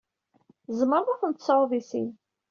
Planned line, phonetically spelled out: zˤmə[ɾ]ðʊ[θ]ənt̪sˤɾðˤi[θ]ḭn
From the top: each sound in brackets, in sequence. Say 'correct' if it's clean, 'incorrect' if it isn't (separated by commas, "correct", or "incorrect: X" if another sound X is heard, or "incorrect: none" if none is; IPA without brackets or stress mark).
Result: correct, correct, incorrect: s